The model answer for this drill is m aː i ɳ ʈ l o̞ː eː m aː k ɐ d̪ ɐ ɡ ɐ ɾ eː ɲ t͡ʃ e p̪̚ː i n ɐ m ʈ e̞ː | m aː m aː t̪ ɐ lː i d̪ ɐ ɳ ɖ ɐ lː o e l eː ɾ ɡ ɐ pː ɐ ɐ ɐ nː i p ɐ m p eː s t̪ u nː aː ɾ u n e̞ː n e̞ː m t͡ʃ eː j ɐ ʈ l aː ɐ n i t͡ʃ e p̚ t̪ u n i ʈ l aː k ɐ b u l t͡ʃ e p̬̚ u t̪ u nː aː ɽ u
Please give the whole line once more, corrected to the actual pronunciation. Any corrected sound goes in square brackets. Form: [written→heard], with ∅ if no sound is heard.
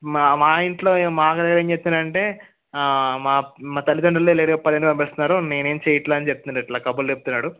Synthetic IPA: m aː i ɳ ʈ l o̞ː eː m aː k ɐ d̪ ɐ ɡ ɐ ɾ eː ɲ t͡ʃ e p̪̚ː i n ɐ [m→ɳ] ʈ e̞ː | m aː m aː t̪ ɐ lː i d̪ ɐ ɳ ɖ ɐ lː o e l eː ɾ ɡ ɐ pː ɐ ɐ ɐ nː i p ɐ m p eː s t̪ u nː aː ɾ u n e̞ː n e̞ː m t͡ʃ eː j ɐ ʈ l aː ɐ n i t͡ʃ e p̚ t̪ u n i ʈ l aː k ɐ b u l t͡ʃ e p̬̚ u t̪ u nː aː ɽ u

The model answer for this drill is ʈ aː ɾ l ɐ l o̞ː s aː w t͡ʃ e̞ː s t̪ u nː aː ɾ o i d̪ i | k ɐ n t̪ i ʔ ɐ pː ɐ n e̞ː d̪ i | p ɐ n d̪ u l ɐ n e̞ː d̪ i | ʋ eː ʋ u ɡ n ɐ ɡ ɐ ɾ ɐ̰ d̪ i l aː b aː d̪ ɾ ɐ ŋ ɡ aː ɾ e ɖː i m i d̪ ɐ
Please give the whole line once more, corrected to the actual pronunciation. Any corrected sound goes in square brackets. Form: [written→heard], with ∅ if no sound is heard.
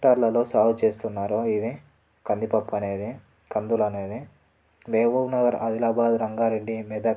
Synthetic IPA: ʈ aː ɾ l ɐ l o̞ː s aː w t͡ʃ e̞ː s t̪ u nː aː ɾ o i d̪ i | k ɐ n [t̪→d̪] i [ʔ→p] ɐ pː ɐ n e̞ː d̪ i | [p→k] ɐ n d̪ u l ɐ n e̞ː d̪ i | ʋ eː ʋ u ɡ n ɐ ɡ ɐ ɾ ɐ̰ d̪ i l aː b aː d̪ ɾ ɐ ŋ ɡ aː ɾ e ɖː i m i d̪ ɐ

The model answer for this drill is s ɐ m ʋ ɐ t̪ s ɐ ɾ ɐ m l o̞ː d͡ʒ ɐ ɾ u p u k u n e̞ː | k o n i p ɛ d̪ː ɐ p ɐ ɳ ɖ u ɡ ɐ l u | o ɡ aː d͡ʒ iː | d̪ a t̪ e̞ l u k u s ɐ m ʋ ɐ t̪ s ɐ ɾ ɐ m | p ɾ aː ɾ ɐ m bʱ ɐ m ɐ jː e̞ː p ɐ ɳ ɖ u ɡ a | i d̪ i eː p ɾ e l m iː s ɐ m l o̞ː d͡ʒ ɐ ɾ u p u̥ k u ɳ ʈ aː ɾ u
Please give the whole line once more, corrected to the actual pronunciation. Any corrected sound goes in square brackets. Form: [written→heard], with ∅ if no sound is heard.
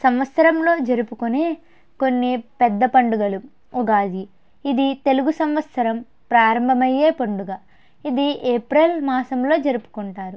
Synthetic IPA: s ɐ m ʋ ɐ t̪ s ɐ ɾ ɐ m l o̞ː d͡ʒ ɐ ɾ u p u k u n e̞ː | k o [n→nː] i p ɛ d̪ː ɐ p ɐ ɳ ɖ u ɡ ɐ l u | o ɡ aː d͡ʒ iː | d̪ [a→i] t̪ e̞ l u [k→ɡ] u s ɐ m ʋ ɐ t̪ s ɐ ɾ ɐ m | p ɾ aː ɾ ɐ m bʱ ɐ m ɐ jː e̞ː p ɐ ɳ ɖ u ɡ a | i d̪ i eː p ɾ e l m [iː→aː] s ɐ m l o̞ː d͡ʒ ɐ ɾ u p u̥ k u ɳ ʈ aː ɾ u

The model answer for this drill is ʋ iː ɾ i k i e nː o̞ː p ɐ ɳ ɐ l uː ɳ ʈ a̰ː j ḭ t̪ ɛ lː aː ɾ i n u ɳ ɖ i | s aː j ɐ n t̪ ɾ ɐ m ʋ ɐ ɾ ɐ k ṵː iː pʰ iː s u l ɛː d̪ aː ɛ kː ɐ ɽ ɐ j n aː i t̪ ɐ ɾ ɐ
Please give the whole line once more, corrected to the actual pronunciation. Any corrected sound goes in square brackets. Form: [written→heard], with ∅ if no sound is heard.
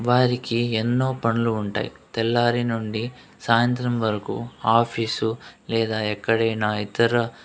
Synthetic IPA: ʋ [iː→aː] ɾ i k i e nː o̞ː p ɐ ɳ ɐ l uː ɳ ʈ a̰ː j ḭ t̪ ɛ lː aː ɾ i n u ɳ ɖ i | s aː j ɐ n t̪ ɾ ɐ m ʋ ɐ ɾ ɐ k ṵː [iː→aː] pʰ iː s u l ɛː d̪ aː ɛ kː ɐ ɽ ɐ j n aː i t̪ ɐ ɾ ɐ

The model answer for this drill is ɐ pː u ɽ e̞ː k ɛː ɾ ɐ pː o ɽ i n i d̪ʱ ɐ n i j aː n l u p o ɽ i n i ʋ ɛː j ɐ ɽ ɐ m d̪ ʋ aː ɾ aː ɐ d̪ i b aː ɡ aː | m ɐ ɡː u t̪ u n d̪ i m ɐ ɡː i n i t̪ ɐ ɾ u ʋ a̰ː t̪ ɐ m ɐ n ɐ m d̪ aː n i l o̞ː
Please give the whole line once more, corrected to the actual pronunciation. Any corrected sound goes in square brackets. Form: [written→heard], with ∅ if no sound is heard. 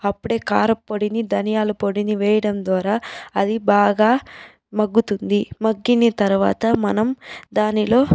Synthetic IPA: ɐ pː u ɽ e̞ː k [ɛː→aː] ɾ ɐ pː o ɽ i n i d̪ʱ ɐ n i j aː [n→∅] l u p o ɽ i n i ʋ ɛː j ɐ ɽ ɐ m d̪ ʋ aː ɾ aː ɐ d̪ i b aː ɡ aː | m ɐ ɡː u t̪ u n d̪ i m ɐ ɡː i n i t̪ ɐ ɾ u ʋ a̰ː t̪ ɐ m ɐ n ɐ m d̪ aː n i l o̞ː

